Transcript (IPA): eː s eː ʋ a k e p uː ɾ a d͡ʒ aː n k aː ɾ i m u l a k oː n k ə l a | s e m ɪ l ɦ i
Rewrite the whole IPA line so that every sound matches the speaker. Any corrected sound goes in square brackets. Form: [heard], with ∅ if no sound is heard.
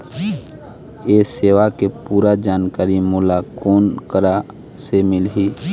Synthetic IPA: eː s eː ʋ a k e p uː ɾ a d͡ʒ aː n k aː ɾ i m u l a k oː n k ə [ɾ] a | s e m ɪ l ɦ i